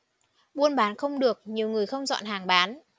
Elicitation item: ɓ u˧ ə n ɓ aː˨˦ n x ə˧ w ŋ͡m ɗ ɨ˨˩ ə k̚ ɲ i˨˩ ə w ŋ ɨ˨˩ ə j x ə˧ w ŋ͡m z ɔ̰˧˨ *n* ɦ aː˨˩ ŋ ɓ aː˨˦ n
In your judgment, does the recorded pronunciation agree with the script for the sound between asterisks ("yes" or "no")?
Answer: yes